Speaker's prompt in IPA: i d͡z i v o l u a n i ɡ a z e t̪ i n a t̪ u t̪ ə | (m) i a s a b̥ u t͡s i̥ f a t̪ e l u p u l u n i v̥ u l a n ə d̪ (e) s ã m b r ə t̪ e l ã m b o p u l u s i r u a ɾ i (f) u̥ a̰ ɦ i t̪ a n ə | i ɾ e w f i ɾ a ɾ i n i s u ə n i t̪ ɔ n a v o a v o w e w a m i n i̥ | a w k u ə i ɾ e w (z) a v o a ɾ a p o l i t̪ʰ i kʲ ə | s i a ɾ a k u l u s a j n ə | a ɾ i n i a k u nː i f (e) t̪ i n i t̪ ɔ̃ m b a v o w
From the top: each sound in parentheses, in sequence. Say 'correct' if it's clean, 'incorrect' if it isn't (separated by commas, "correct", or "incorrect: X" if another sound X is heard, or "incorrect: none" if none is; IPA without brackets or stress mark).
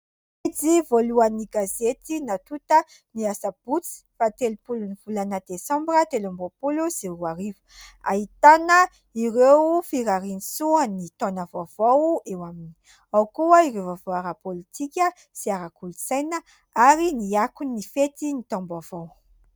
incorrect: n, correct, incorrect: v, incorrect: v, correct